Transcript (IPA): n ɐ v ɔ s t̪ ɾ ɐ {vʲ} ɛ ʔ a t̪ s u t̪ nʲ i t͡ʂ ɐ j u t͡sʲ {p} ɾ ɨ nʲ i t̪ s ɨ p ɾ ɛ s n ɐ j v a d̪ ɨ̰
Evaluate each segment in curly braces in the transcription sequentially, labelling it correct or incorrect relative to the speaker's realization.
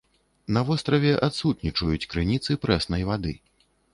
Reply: correct, incorrect: k

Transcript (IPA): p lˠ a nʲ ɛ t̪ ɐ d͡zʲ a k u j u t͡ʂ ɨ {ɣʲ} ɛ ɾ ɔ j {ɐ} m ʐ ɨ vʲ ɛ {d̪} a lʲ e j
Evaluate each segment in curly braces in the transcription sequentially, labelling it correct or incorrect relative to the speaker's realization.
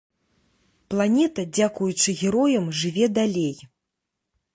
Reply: correct, correct, correct

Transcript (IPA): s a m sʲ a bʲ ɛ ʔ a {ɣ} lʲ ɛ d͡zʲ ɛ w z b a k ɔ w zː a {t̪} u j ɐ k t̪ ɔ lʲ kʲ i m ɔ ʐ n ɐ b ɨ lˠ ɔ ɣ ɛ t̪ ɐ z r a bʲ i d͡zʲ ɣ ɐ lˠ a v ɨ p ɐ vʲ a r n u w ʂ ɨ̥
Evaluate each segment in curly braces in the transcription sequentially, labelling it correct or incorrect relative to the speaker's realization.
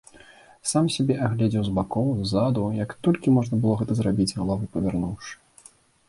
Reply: correct, incorrect: d̪

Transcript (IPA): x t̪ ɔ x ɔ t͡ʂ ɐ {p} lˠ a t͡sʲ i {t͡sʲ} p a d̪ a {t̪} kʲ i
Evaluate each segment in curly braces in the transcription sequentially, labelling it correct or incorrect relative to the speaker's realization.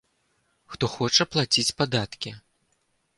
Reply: correct, correct, correct

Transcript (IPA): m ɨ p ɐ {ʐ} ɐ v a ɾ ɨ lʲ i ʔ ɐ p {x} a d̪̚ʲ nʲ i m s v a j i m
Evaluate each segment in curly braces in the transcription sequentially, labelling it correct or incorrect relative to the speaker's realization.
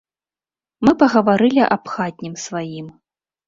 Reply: incorrect: ɣ, correct

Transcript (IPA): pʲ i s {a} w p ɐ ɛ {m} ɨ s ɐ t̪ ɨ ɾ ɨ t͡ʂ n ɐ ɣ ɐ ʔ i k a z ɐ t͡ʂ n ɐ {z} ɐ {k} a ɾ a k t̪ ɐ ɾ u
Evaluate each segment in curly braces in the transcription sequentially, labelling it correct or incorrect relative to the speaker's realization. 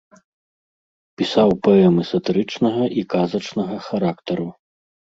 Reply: correct, correct, incorrect: ɣ, incorrect: x

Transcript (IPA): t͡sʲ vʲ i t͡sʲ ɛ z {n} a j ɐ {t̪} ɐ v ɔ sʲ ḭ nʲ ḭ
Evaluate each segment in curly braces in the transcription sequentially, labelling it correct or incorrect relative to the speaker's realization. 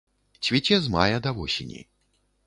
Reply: incorrect: m, incorrect: d̪

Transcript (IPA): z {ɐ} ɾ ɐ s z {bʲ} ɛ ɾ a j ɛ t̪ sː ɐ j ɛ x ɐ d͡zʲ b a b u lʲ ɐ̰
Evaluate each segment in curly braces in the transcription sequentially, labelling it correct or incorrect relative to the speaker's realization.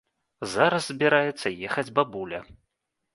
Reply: incorrect: a, correct

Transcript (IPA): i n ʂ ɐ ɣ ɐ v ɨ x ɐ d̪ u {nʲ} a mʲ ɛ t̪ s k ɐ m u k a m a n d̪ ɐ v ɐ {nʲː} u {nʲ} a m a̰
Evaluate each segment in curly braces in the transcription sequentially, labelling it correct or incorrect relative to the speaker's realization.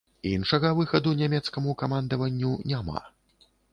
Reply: correct, correct, correct

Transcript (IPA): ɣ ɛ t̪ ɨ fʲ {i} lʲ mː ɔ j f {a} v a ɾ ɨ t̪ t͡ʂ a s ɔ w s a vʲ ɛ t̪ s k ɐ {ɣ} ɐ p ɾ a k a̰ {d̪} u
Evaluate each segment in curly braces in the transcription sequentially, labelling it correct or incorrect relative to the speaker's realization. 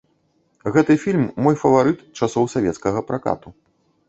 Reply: correct, incorrect: ɐ, correct, incorrect: t̪

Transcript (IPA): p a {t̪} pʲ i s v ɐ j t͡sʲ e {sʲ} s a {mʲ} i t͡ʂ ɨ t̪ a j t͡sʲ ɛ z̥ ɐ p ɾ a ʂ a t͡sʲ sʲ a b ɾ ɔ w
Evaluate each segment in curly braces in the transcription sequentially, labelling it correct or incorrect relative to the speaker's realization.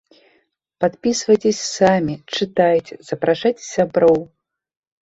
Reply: correct, correct, correct

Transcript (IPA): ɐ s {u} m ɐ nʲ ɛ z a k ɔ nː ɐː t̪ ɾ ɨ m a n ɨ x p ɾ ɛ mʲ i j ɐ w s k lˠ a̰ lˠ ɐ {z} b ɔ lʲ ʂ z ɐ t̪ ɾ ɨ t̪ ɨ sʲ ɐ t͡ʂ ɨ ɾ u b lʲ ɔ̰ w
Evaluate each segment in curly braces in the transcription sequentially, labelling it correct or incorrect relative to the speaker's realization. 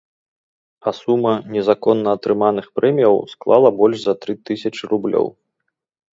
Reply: correct, incorrect: none

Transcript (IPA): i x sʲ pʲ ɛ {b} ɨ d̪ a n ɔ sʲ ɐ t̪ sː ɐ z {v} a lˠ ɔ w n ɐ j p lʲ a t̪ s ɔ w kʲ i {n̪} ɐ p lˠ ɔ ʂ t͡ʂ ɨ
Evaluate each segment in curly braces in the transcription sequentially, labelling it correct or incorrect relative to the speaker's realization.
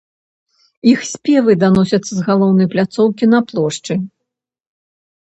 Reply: incorrect: v, incorrect: ɣ, correct

